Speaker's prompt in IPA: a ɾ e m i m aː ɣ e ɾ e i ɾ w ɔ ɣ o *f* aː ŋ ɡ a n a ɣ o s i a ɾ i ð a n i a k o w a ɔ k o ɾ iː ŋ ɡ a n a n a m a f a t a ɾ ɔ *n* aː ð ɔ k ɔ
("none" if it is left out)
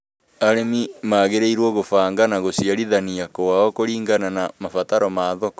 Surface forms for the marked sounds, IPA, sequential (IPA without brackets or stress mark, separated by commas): f, m